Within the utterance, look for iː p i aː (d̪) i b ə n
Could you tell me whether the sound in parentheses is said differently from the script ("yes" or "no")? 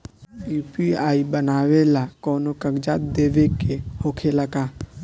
yes